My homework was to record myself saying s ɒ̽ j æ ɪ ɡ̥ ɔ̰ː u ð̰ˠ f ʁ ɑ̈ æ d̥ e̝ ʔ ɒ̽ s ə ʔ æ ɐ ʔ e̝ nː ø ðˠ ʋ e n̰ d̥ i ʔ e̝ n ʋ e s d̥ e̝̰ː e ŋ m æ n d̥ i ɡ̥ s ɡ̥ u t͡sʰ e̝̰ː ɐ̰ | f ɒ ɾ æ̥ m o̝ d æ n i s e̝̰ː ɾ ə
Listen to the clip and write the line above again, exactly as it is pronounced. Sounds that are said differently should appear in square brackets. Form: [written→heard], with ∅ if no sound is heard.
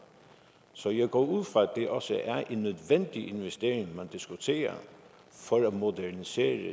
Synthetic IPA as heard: s ɒ̽ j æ ɪ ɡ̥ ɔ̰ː u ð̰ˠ f ʁ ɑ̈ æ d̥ e̝ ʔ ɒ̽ s ə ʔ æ ɐ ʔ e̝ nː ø ðˠ ʋ e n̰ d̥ i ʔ e̝ n ʋ e s d̥ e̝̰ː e ŋ m æ n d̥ i [ɡ̥→∅] s ɡ̥ u t͡sʰ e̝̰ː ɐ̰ | f ɒ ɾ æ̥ m o̝ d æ n i s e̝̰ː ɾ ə